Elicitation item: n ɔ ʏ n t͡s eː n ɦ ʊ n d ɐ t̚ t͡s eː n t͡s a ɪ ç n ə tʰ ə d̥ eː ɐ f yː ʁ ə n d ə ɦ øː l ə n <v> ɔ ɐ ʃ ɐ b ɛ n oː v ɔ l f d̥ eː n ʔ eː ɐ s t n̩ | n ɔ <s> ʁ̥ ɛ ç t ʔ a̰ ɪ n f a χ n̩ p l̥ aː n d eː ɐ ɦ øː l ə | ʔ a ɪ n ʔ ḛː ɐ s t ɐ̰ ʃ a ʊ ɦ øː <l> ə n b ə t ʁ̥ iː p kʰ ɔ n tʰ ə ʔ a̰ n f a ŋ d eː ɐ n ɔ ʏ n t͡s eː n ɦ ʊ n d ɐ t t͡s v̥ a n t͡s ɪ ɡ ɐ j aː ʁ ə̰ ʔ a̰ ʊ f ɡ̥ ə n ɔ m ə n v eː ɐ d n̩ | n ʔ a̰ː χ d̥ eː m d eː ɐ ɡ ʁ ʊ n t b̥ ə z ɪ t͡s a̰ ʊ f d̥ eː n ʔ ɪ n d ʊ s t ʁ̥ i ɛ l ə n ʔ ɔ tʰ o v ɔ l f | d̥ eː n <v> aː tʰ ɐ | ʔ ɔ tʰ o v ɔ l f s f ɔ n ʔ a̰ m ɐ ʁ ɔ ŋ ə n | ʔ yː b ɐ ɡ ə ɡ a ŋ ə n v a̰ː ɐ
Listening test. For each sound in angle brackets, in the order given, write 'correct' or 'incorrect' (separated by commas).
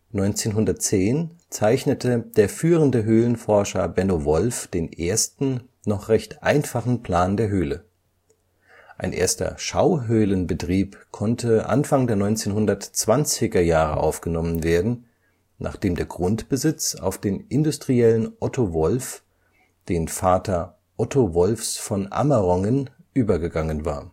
incorrect, incorrect, correct, incorrect